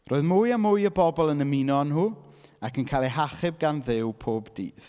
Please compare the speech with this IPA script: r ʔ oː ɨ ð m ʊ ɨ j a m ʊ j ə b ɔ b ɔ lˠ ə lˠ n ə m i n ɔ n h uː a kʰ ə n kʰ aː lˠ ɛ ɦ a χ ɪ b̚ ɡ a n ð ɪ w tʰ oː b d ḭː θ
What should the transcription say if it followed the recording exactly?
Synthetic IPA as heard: r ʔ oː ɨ ð m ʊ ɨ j a m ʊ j ə b ɔ b ɔ lˠ ə n ə m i n ɔ n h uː a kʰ ə n kʰ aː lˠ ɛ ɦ a χ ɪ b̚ ɡ a n ð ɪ w pʰ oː b d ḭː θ